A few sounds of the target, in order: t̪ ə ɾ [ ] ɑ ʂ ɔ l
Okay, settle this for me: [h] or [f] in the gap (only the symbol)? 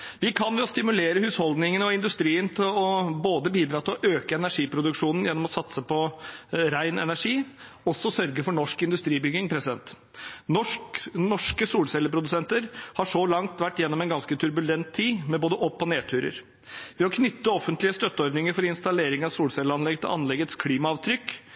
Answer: h